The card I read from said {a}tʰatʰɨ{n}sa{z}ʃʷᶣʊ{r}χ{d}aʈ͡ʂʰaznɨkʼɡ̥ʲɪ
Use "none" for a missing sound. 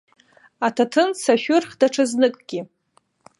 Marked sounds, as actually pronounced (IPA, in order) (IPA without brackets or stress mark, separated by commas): a, n, none, r, d